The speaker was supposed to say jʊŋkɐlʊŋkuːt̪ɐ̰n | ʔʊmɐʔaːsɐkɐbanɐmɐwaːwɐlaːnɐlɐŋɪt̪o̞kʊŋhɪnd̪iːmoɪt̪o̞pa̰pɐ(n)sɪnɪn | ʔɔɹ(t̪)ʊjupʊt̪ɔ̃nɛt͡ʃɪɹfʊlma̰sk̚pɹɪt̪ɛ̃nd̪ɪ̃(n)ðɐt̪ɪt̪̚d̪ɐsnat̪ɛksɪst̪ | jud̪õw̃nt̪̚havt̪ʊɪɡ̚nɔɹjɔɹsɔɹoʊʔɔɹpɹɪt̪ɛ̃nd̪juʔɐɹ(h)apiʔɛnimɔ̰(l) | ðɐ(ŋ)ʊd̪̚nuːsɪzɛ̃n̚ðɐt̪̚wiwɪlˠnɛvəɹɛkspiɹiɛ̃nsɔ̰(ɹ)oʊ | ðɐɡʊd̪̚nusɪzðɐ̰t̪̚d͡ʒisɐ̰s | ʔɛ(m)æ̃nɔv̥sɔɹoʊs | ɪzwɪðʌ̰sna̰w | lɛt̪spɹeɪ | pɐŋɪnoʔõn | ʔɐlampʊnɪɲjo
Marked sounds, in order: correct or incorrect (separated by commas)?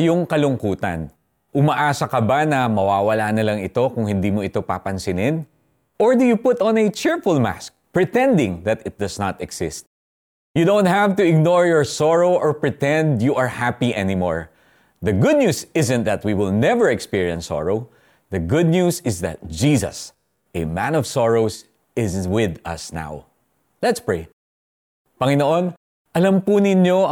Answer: correct, incorrect, incorrect, correct, incorrect, incorrect, correct, correct